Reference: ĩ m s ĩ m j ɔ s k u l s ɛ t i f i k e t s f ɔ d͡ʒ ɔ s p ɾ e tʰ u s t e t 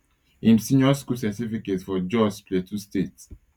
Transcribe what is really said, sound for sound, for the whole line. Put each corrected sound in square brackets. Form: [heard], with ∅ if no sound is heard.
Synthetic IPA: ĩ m s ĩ [n] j ɔ s k u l s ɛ t i f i k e t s f ɔ d͡ʒ ɔ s p [l] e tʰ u s t e t